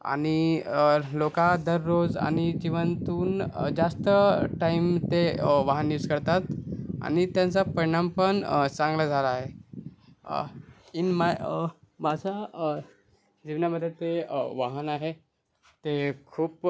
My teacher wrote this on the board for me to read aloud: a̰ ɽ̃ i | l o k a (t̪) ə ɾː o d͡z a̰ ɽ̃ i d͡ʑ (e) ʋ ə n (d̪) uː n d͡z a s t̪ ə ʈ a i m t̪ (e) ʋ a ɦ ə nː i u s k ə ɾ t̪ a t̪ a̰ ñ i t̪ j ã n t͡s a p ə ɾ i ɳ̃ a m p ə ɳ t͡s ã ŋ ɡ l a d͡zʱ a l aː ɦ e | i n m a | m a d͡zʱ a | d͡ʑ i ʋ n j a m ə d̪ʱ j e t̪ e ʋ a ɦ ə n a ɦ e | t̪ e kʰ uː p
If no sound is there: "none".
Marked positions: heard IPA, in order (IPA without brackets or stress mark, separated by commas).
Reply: d̪, i, t̪, e